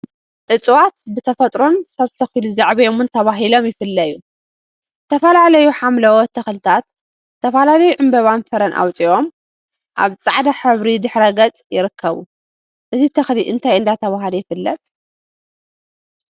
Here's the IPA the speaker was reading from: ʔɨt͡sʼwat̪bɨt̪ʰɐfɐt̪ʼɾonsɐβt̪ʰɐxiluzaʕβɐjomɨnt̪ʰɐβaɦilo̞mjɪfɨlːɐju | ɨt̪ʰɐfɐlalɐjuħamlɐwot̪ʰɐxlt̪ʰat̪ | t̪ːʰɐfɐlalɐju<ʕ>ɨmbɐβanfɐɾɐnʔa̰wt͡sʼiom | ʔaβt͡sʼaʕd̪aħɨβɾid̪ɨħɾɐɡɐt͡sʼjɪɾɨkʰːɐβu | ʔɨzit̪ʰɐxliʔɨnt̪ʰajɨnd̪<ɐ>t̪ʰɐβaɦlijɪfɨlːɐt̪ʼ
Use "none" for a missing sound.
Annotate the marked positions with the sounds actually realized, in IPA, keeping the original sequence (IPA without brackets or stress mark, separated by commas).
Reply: ʕ, a